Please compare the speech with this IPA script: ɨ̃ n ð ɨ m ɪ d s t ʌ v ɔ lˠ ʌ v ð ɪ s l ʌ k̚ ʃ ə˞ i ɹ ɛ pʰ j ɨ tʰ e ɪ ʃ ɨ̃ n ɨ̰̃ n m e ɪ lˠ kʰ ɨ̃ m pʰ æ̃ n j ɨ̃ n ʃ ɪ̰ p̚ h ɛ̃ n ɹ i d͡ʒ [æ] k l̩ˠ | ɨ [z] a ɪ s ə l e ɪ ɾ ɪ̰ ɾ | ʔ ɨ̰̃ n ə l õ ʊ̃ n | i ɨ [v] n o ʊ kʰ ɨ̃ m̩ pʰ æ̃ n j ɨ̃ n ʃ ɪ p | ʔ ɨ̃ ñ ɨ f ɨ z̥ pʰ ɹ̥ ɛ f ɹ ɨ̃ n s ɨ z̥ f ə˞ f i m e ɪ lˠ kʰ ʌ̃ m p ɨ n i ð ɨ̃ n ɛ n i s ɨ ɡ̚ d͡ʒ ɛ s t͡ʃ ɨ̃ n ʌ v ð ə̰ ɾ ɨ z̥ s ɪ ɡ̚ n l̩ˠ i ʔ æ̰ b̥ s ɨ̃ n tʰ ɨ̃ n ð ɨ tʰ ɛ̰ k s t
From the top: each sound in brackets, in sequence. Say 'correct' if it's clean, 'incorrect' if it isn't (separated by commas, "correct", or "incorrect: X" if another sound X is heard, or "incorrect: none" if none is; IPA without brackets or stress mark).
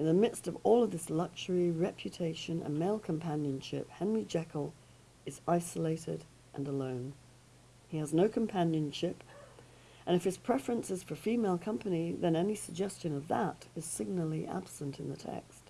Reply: incorrect: ɛ, correct, incorrect: z